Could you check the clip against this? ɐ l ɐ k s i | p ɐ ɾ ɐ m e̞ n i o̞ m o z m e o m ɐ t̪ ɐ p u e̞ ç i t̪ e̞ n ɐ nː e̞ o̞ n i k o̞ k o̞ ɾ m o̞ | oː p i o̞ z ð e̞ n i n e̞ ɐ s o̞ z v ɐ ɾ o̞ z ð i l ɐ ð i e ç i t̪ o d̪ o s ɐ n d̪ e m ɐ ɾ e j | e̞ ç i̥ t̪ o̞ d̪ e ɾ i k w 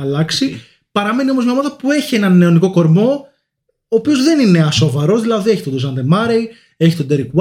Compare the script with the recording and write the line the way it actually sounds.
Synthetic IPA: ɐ l ɐ k s i | p ɐ ɾ ɐ m e̞ n i o̞ m o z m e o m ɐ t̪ ɐ p u e̞ ç i e̞ n ɐ nː e̞ o̞ n i k o̞ k o̞ ɾ m o̞ | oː p i o̞ z ð e̞ n i n e̞ ɐ s o̞ v ɐ ɾ o̞ z ð i l ɐ ð i e ç i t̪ o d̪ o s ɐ n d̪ e m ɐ ɾ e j | e̞ ç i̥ t̪ o̞ d̪ e ɾ i k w